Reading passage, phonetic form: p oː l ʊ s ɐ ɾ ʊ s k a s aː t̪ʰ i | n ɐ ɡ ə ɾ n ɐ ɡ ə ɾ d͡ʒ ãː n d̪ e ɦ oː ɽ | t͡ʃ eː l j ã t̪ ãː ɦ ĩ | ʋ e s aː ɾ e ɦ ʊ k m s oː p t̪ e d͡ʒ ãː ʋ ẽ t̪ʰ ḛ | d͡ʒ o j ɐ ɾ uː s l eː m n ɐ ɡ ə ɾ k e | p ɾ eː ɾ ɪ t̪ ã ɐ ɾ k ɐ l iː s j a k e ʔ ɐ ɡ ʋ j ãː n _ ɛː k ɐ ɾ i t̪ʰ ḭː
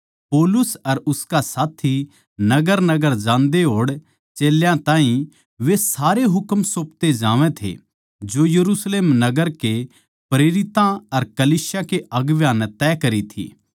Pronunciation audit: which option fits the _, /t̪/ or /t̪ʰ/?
t̪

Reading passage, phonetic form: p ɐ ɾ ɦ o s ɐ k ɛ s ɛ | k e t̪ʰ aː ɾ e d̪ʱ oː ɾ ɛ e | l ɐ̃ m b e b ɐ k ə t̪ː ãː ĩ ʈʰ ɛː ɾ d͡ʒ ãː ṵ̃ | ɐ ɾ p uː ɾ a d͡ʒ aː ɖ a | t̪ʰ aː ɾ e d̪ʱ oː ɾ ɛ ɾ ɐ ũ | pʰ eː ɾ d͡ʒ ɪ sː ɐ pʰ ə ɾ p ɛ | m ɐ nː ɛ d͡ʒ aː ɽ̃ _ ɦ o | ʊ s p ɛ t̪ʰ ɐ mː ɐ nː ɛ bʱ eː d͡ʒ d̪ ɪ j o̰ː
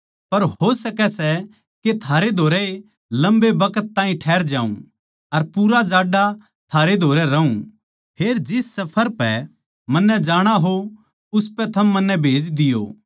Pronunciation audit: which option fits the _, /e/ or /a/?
a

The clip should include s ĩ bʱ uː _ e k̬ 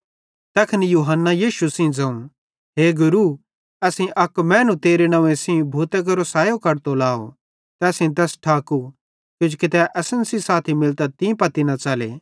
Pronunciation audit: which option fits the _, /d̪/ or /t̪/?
t̪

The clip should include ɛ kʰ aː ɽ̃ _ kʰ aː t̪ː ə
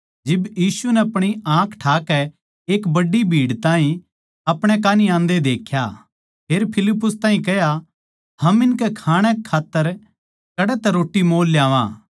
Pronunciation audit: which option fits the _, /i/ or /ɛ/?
ɛ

